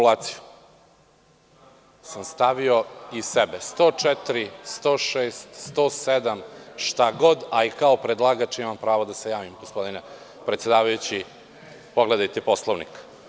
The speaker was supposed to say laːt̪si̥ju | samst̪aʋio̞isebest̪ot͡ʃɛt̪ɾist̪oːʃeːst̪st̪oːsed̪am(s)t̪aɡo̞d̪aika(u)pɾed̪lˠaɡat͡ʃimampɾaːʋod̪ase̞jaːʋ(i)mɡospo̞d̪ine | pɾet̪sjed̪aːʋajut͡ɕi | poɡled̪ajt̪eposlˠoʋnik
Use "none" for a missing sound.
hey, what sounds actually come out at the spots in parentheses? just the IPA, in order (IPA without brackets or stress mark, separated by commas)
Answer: ʃ, o, i